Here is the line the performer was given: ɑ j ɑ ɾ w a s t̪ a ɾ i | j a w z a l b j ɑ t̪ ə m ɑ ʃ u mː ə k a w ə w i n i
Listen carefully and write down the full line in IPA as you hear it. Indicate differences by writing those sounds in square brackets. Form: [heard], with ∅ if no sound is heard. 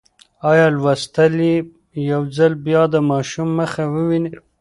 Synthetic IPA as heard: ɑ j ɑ [l] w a s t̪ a [l] i | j a w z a l b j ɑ [d̪] ə m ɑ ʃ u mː ə [x] a w ə w i n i